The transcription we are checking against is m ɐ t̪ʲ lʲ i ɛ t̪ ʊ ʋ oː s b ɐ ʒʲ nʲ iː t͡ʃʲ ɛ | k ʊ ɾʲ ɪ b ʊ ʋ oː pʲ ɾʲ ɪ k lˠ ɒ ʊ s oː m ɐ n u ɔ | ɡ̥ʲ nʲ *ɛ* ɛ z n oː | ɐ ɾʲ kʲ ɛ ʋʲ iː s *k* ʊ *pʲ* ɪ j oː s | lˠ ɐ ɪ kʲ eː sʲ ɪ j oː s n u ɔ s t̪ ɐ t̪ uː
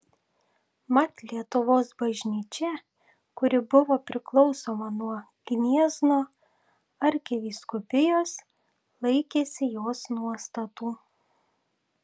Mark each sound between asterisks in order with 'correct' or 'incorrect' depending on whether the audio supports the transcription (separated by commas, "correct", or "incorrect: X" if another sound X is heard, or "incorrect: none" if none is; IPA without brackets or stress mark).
incorrect: i, correct, correct